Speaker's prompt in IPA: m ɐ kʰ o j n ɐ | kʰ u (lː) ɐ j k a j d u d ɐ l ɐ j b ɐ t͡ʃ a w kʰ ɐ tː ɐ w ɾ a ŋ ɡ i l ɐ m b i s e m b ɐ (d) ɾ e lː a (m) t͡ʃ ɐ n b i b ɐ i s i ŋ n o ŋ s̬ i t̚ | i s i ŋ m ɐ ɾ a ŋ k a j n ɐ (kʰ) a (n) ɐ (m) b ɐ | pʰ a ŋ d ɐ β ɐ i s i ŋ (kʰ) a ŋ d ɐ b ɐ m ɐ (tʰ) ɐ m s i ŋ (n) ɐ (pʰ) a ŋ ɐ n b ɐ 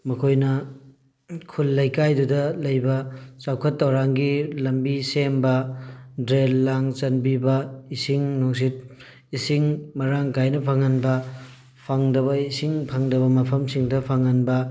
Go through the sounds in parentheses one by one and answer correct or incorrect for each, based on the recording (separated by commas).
correct, correct, incorrect, incorrect, incorrect, incorrect, incorrect, incorrect, incorrect, correct